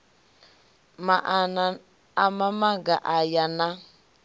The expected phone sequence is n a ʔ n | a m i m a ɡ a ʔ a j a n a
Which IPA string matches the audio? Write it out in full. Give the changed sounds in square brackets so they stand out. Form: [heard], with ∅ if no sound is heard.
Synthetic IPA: [m] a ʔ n | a m [a] m a ɡ a ʔ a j a n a